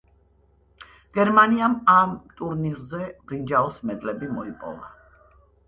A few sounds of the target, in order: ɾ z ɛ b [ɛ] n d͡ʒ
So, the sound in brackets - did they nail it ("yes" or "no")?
no